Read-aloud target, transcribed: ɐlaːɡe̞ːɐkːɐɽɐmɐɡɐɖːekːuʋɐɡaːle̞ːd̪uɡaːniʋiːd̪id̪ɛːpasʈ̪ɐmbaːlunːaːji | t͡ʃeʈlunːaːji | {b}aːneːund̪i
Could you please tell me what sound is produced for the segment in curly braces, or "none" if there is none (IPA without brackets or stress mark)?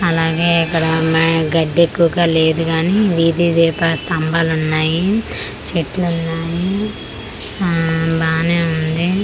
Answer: b